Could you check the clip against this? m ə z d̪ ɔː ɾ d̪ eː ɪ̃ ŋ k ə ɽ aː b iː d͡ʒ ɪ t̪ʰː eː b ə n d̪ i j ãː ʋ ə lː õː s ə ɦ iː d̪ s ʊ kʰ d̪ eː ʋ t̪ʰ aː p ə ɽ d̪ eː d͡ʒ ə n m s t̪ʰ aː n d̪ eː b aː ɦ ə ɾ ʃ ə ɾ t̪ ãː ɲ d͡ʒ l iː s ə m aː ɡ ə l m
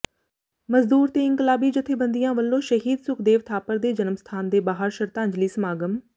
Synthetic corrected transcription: m ə z d̪ uː ɾ t̪ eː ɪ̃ ŋ k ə l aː b iː d͡ʒ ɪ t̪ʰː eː b ə n d̪ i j ãː ʋ ə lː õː ʃ ə ɦ iː d̪ s ʊ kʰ d̪ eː ʋ t̪ʰ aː p ə ɾ d̪ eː d͡ʒ ə n m s t̪ʰ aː n d̪ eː b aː ɦ ə ɾ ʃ ə ɾ t̪ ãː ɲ d͡ʒ l iː s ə m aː ɡ ə m

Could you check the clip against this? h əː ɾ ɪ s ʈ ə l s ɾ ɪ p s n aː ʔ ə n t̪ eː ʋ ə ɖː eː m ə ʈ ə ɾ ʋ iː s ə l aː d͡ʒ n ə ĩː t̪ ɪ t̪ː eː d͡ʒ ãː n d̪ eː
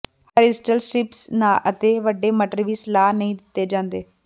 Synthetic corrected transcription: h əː ɾ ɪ s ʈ ə l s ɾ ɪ p s n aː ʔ ə t̪ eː ʋ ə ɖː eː m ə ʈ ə ɾ ʋ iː s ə l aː n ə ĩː d̪ ɪ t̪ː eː d͡ʒ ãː n d̪ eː

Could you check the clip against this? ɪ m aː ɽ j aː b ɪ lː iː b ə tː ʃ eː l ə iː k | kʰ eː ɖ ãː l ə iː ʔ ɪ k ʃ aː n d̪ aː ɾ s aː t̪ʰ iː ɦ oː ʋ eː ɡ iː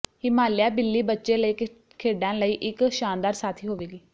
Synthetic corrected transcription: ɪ m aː l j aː b ɪ lː iː b ə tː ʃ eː l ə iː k | kʰ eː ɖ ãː l ə iː ʔ ɪ k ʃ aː n d̪ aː ɾ s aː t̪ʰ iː ɦ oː ʋ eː ɡ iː

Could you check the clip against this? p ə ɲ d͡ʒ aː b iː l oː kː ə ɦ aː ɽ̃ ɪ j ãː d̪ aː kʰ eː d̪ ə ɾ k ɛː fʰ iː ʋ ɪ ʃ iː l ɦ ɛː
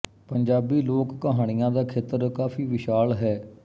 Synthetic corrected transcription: p ə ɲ d͡ʒ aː b iː l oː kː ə ɦ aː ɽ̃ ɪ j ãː d̪ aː kʰ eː t̪ ə ɾ k aː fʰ iː ʋ ɪ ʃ aː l ɦ ɛː

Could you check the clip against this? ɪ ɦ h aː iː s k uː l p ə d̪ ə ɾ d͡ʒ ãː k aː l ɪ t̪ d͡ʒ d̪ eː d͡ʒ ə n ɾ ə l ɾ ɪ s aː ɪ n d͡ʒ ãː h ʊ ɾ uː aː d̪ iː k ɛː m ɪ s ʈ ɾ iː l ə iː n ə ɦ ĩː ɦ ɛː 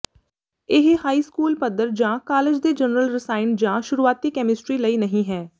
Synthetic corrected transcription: ɪ ɦ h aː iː s k uː l p ə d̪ ə ɾ d͡ʒ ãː k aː l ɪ d͡ʒ d̪ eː d͡ʒ ə n ɾ ə l ɾ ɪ s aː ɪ n d͡ʒ ãː ʃ ʊ ɾ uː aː t̪ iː k ɛː m ɪ s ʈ ɾ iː l ə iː n ə ɦ ĩː ɦ ɛː

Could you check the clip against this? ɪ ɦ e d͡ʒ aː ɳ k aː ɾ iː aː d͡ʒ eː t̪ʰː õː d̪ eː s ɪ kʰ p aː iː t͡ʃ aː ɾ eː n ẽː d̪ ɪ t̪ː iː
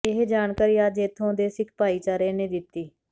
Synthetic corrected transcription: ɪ ɦ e d͡ʒ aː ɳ k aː ɾ iː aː d͡ʒ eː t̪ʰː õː d̪ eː s ɪ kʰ p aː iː t͡ʃ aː ɾ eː n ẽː d̪ ɪ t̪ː iː

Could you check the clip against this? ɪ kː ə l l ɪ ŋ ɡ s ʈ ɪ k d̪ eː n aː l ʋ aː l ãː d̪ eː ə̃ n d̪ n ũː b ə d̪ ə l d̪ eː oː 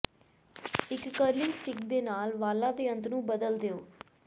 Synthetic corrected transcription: ɪ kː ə ɾ l ɪ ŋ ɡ s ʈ ɪ k d̪ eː n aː l ʋ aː l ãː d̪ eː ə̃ n t̪ n ũː b ə d̪ ə l d̪ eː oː

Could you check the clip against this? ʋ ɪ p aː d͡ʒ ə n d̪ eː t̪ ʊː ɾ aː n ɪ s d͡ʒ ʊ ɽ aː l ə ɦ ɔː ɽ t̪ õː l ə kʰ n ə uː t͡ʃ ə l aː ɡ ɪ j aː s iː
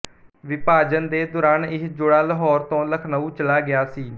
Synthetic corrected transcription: ʋ ɪ p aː d͡ʒ ə n d̪ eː d̪ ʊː ɾ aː n ɪ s d͡ʒ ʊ ɽ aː l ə ɦ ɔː ɾ t̪ õː l ə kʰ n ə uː t͡ʃ ə l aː ɡ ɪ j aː s iː

